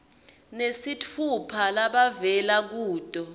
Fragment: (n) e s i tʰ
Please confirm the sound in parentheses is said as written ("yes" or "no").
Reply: yes